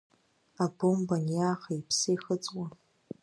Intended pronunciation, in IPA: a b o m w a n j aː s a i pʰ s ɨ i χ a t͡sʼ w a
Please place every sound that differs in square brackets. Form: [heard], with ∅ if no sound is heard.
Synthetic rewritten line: a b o m [b] a n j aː [χ] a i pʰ s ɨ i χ [ə] t͡sʼ w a

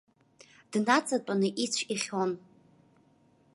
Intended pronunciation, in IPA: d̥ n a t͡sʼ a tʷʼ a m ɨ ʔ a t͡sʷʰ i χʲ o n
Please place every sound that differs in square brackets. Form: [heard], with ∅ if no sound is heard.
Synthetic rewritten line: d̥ n a t͡sʼ a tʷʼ a [n] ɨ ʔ [i] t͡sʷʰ i χʲ o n

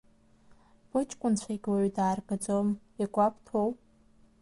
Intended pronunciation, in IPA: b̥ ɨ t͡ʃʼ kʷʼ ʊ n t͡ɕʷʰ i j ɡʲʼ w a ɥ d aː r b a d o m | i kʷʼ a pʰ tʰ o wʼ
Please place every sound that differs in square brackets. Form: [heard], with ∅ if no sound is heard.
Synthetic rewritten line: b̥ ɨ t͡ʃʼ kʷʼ ʊ n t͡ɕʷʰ [a] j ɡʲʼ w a ɥ d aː r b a [d͡z] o m | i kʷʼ a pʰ tʰ o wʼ

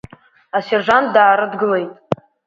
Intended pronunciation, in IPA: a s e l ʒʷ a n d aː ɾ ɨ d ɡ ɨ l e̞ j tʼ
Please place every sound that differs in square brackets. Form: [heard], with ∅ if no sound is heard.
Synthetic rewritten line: a s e [r] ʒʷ a n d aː ɾ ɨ d ɡ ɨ l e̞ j tʼ

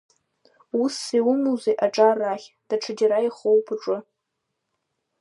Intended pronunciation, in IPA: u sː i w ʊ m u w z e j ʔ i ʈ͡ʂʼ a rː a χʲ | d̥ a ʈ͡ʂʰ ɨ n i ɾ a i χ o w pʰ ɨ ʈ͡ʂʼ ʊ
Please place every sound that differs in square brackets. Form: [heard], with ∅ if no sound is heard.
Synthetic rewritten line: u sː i w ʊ m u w z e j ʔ [a] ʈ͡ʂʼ a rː a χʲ | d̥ a ʈ͡ʂʰ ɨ [d] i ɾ a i χ o w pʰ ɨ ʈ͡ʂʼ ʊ

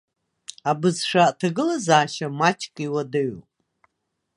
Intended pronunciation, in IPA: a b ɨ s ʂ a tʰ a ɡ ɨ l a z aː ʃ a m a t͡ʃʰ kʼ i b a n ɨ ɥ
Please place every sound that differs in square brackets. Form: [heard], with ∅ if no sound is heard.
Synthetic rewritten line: a b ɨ [z] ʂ a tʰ a ɡ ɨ l a z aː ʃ a m a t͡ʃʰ kʼ i [w] a [d] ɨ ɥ

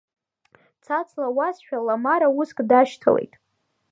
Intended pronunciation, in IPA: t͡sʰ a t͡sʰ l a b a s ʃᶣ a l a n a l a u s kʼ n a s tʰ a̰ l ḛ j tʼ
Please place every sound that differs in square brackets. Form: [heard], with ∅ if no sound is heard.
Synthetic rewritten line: t͡sʰ a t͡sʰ l a [w] a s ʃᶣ a l a [m] a [ɾ] a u s kʼ [d] a [ʃ] tʰ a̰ l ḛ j tʼ

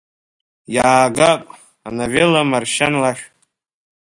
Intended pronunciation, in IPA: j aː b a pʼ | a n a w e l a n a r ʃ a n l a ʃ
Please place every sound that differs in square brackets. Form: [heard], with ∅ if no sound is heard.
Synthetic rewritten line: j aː [ɡ] a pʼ | a n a [v] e l a [m] a r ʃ a n l a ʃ

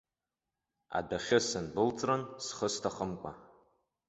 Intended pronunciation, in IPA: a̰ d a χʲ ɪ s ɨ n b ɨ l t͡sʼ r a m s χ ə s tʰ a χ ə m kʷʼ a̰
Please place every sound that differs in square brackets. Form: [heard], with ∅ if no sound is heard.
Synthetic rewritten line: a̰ d a χʲ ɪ s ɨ n b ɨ l t͡sʼ r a [n] s χ ə s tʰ a χ ə m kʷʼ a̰

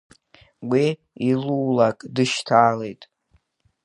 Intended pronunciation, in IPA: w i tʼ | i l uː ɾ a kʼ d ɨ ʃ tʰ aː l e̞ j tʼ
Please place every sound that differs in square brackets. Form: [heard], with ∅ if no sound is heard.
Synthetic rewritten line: w i [∅] | i l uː [l] a kʼ d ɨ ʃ tʰ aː l e̞ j tʼ

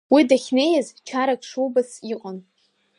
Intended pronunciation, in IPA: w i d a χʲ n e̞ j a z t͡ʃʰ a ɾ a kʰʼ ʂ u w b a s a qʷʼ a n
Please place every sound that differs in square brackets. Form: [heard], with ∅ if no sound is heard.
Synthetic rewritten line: w i d a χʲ n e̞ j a z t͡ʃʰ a ɾ a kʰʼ ʂ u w b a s [i] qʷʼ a n

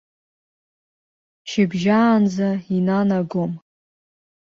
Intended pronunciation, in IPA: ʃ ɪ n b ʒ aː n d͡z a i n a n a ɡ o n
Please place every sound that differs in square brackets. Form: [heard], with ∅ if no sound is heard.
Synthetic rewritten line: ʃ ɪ [∅] b ʒ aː n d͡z a i n a n a ɡ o [m]

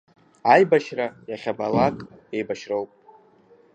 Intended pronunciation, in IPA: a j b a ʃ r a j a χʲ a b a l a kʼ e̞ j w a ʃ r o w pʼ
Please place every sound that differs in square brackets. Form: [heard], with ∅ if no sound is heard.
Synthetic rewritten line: a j b a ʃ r a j a χʲ a b a l a kʼ e̞ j [b] a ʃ r o w pʼ

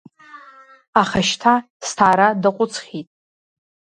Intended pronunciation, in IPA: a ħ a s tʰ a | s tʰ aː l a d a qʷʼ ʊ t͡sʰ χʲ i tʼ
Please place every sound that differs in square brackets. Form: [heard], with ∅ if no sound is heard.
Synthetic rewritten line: a [χ] a [ʃ] tʰ a | s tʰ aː [ɾ] a d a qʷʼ ʊ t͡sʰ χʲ i tʼ

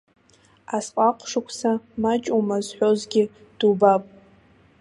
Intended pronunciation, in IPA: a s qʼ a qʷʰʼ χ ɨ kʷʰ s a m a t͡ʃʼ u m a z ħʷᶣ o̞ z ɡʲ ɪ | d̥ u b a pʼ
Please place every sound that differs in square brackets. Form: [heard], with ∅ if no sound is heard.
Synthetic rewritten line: a s qʼ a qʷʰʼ [ʂ] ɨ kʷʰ s a m a t͡ʃʼ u m a z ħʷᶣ o̞ z ɡʲ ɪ | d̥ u b a pʼ

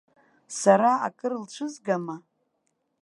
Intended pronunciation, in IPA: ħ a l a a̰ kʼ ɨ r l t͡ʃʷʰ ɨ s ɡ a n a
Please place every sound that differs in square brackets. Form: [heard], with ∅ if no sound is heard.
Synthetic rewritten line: [s] a [ɾ] a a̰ kʼ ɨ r l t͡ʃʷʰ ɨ [z] ɡ a [m] a

